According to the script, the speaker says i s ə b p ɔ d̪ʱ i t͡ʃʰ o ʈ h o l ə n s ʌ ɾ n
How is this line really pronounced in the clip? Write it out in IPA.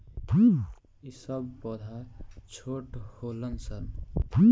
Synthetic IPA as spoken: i s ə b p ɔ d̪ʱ a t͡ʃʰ o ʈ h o l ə n s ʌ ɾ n